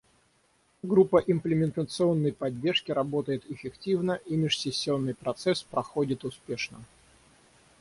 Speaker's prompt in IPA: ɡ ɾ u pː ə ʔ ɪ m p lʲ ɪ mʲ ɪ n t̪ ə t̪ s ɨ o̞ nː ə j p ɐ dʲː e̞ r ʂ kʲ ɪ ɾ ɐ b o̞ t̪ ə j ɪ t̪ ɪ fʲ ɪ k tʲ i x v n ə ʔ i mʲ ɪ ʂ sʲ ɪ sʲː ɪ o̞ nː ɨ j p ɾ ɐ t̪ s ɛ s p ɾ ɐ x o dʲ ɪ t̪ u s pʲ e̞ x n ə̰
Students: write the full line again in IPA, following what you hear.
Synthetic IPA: ɡ ɾ u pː ə ʔ ɪ m p lʲ ɪ mʲ ɪ n t̪ ə t̪ s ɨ o̞ nː ə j p ɐ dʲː e̞ r ʂ kʲ ɪ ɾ ɐ b o̞ t̪ ə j ɪ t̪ ɪ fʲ ɪ k tʲ i v n ə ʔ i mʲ ɪ ʂ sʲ ɪ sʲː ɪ o̞ nː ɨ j p ɾ ɐ t̪ s ɛ s p ɾ ɐ x o dʲ ɪ t̪ ʊ s pʲ e̞ ʂ n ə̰